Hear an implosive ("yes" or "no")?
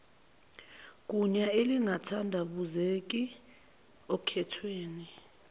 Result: yes